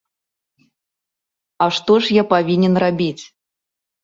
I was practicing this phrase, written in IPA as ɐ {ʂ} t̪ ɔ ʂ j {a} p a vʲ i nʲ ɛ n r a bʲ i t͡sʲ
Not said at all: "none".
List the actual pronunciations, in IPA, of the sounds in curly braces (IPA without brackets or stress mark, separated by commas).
ʂ, a